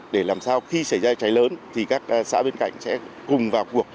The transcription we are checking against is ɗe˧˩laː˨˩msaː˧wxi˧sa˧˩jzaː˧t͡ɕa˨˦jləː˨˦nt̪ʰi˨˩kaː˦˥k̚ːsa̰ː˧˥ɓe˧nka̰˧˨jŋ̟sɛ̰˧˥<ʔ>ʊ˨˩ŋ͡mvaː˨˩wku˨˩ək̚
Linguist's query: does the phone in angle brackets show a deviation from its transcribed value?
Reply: yes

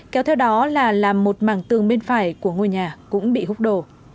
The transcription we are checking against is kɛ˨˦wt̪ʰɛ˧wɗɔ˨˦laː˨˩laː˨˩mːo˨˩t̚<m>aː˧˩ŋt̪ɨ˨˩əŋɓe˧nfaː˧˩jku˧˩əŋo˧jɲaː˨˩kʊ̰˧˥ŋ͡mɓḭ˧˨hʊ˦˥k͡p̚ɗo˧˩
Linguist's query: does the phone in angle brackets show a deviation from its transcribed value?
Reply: no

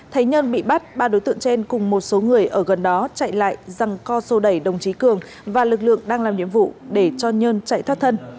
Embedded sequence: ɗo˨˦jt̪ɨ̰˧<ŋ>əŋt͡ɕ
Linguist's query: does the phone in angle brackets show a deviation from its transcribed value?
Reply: yes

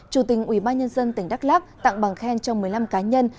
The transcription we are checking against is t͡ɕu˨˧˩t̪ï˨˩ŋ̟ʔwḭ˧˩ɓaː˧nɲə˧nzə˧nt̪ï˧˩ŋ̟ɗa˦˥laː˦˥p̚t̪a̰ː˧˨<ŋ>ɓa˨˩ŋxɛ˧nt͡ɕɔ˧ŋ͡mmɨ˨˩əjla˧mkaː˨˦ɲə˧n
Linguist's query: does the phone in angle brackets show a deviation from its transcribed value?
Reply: no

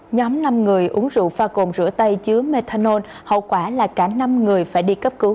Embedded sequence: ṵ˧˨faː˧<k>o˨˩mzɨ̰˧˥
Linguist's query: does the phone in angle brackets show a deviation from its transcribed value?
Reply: no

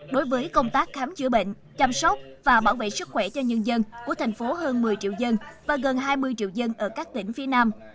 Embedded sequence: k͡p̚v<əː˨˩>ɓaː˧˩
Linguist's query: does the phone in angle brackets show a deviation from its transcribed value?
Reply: yes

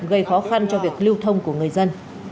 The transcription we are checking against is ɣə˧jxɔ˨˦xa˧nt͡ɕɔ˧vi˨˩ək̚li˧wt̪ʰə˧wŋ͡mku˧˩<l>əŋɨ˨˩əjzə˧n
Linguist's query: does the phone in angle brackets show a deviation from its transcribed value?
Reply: yes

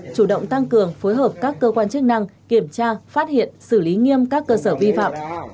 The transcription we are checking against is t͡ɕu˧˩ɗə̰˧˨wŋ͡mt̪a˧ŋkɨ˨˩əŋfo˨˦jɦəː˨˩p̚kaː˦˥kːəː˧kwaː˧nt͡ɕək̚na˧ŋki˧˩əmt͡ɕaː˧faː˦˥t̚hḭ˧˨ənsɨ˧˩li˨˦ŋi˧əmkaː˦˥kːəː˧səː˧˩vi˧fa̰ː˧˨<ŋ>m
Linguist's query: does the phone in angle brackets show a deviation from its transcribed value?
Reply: yes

